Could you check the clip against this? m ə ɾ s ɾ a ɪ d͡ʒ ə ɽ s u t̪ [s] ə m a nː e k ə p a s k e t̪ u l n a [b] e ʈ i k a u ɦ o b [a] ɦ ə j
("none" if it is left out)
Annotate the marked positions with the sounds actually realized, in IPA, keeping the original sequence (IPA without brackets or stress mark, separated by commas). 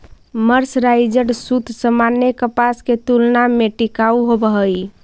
s, m, ə